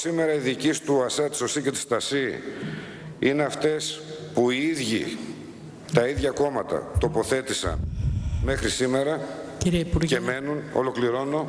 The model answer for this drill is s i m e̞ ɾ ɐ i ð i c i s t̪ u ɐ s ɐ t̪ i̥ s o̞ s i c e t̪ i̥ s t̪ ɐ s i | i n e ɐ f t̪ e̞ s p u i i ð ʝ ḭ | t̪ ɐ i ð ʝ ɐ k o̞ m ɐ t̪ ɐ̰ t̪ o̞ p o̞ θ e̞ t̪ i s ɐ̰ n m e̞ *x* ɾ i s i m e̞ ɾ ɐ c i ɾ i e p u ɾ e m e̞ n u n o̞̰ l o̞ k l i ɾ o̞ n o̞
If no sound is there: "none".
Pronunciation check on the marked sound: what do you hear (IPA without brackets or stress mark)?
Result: x